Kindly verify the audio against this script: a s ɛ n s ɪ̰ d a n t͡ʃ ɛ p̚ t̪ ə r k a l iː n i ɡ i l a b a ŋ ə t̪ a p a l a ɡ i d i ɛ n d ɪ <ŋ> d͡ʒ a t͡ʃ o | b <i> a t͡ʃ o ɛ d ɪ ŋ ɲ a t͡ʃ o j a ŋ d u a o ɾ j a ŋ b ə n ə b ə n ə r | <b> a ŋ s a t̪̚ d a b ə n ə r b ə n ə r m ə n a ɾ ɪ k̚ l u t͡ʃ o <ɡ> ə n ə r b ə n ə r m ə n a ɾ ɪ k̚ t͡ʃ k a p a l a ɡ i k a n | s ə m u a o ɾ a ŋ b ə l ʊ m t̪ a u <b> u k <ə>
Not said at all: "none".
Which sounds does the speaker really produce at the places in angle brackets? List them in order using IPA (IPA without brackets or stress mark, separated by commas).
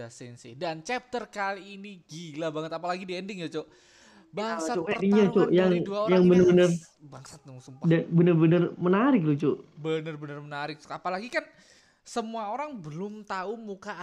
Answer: ŋ, a, b, b, m, a